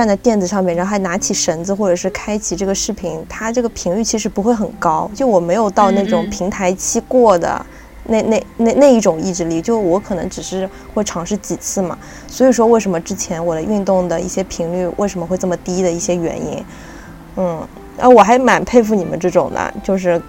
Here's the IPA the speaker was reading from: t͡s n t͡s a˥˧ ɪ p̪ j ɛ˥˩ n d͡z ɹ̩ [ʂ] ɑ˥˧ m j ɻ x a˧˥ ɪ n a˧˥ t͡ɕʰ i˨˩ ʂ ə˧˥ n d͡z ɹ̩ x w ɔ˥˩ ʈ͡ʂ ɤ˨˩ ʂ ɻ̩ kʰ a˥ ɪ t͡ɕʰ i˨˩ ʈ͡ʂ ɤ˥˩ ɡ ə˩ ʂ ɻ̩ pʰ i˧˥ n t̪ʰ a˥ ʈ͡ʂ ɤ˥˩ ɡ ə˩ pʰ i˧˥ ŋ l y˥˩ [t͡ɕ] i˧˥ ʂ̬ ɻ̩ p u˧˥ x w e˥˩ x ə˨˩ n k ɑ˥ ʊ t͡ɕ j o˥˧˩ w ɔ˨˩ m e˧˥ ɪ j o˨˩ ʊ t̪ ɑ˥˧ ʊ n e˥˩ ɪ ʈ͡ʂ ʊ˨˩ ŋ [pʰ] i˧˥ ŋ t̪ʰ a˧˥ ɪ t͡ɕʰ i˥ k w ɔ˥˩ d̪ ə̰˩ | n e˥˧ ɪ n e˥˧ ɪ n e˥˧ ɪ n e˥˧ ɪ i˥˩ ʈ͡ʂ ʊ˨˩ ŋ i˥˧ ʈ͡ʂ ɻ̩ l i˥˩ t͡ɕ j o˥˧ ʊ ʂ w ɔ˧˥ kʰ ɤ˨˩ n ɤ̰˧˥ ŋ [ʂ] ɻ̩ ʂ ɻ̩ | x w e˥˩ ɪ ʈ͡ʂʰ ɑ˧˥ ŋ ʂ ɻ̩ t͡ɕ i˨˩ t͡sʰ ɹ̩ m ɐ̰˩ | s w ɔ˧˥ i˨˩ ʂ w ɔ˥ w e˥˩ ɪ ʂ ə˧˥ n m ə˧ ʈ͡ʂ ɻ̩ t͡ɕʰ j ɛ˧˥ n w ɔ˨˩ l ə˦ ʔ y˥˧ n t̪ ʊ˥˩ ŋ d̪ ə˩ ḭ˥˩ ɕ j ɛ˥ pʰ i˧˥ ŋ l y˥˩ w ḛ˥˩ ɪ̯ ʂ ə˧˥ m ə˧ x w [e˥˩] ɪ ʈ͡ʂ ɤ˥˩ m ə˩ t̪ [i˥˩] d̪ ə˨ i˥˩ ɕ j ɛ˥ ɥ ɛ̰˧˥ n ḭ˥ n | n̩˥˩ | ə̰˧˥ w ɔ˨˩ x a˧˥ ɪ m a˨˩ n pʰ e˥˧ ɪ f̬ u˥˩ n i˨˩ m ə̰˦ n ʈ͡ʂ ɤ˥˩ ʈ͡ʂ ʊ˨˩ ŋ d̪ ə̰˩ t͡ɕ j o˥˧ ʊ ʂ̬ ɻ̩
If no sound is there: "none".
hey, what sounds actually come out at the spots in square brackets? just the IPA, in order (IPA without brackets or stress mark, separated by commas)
ʂ, t͡ɕʰ, pʰ, ʈ͡ʂ, e˥˧, i˥